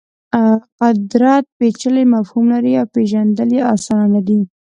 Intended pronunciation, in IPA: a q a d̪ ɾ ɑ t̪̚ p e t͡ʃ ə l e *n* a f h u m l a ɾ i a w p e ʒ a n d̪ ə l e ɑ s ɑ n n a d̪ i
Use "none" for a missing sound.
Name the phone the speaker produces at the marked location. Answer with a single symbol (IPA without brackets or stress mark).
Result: m